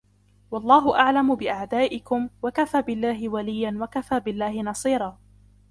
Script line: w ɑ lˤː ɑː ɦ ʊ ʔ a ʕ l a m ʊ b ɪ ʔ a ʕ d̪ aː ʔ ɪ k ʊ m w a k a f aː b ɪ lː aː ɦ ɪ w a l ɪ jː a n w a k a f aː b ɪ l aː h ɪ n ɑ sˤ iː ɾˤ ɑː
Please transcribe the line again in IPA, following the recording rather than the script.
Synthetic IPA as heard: w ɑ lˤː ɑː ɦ ʊ ʔ a ʕ l a m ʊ b ɪ ʔ a ʕ d̪ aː ʔ ɪ k ʊ m w a k a f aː b ɪ lː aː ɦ ɪ w a l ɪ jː a n w a k a f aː b ɪ lː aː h ɪ n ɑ sˤ iː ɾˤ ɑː